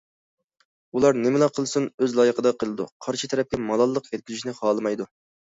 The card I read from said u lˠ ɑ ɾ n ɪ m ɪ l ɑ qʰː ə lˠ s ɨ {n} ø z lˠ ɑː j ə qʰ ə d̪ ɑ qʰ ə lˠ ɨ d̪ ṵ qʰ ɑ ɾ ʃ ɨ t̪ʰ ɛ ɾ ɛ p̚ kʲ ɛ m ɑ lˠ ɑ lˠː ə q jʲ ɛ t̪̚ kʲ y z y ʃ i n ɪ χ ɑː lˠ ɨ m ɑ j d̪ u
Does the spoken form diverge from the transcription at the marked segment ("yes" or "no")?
no